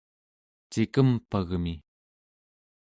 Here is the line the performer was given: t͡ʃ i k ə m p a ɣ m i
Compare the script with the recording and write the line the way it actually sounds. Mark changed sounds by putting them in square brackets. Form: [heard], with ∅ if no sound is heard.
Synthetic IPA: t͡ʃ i k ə m p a ɣ m i